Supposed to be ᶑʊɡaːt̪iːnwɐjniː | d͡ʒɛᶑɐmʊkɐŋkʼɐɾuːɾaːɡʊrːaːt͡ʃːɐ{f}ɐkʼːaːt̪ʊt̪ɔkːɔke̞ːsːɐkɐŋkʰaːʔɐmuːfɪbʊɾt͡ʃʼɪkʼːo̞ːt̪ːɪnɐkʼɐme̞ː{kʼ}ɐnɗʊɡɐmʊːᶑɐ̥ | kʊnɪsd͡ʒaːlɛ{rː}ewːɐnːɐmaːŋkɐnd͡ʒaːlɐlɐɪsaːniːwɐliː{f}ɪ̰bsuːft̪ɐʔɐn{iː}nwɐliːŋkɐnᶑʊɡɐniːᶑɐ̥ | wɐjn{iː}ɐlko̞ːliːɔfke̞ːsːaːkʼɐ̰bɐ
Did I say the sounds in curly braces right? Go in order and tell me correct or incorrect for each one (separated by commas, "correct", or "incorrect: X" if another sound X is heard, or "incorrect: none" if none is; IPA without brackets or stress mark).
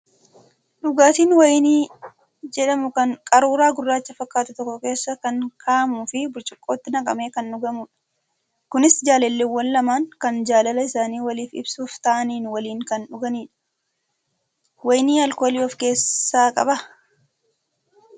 correct, incorrect: k, incorrect: lː, correct, correct, correct